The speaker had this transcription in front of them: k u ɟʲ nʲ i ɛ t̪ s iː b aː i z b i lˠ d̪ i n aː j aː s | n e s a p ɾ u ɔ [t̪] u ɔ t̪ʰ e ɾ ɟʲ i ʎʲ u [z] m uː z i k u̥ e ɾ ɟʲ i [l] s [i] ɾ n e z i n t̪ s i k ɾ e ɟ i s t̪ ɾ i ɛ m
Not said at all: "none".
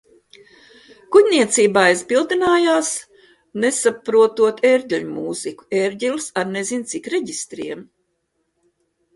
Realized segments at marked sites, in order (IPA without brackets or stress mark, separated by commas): t̪, none, l, a